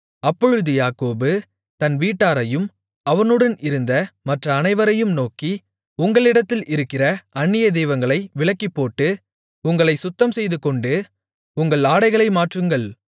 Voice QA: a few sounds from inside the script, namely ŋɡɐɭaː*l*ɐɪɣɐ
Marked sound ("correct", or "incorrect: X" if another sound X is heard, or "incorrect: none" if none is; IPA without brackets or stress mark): incorrect: ɽ